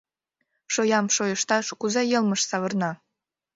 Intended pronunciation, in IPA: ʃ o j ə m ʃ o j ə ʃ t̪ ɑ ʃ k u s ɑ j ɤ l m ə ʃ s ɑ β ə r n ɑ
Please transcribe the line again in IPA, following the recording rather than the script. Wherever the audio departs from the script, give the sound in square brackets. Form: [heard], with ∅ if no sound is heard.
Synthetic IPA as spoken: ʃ o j [ɑ] m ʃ o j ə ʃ t̪ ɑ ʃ k u [z] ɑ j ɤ l m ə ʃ s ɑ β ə r n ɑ